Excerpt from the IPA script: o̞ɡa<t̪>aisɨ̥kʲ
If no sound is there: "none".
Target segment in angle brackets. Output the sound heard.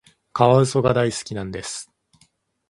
d̪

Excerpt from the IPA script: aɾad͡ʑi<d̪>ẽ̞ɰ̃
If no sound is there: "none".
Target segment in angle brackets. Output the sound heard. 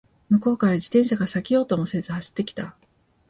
t̪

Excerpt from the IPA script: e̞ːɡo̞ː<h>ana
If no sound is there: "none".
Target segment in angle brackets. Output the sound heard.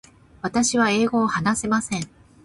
h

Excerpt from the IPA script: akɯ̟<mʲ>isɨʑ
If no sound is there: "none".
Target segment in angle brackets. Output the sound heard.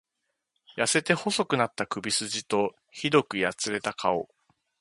bʲ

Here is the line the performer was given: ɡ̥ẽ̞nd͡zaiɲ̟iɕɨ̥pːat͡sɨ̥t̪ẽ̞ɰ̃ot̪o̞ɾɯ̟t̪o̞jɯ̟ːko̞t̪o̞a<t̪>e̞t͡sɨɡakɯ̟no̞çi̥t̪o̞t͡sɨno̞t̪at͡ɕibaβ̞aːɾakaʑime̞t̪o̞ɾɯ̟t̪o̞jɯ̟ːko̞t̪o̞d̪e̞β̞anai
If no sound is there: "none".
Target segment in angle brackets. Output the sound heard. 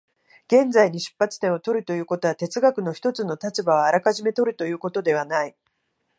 t̪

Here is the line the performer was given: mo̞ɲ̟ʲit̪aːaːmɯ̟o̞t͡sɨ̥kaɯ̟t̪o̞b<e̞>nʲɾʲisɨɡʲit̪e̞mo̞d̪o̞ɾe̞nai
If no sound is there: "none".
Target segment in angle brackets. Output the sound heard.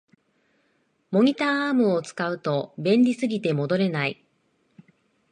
ẽ̞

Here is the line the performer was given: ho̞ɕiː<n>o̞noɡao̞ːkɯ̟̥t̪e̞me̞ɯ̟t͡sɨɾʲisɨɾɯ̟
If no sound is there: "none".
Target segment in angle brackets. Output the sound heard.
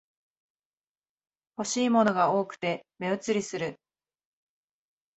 m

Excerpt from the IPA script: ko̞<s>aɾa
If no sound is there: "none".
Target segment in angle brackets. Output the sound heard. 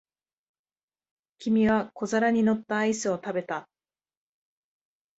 z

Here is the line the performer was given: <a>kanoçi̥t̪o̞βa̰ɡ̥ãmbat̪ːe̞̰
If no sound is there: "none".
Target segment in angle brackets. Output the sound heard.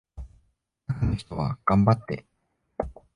a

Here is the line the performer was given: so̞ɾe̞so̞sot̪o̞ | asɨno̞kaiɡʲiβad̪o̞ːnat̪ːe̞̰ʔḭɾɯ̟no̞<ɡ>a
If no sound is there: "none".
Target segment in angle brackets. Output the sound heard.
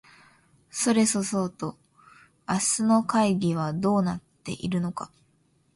k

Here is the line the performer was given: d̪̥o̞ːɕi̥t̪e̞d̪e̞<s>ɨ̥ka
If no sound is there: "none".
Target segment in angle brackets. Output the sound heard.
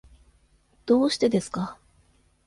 s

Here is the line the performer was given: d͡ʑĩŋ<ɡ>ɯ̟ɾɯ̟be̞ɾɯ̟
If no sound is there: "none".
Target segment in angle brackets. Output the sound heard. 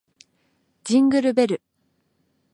ɡ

